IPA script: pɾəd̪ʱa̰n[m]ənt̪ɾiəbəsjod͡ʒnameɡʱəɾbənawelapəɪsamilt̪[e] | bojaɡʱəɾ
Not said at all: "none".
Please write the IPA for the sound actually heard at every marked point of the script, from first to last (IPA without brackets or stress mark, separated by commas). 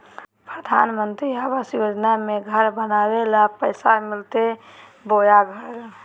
m, e